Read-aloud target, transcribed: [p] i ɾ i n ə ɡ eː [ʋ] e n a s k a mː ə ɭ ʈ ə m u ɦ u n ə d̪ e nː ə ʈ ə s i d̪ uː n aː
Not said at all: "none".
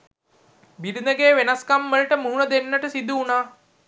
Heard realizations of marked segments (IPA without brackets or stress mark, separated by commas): b, ʋ